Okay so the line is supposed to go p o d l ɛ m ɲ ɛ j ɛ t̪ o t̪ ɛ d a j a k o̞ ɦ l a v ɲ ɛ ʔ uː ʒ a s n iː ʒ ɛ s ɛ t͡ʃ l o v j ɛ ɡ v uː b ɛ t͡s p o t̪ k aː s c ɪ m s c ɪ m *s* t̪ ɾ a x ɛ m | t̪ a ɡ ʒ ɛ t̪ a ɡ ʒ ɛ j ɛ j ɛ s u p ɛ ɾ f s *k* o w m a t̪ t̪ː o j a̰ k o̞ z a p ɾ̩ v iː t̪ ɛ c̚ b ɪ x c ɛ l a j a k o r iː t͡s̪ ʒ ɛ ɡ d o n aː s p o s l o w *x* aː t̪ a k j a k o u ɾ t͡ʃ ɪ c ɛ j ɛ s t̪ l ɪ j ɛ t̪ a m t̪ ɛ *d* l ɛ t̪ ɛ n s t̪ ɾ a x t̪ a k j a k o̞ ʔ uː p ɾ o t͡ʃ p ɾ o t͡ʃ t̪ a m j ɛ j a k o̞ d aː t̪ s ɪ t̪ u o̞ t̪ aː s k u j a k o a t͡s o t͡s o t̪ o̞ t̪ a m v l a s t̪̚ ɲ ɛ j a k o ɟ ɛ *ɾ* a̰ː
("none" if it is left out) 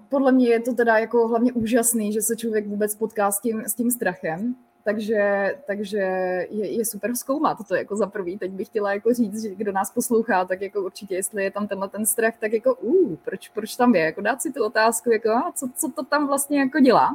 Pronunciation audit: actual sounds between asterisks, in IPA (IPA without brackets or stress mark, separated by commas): s, k, x, n, l